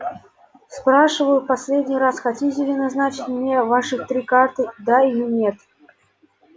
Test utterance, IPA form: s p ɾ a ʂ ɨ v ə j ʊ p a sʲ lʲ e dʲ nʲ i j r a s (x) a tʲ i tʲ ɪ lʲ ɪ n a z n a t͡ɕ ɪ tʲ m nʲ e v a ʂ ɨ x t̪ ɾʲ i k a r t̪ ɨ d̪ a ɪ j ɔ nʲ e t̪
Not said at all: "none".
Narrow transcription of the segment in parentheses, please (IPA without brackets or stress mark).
x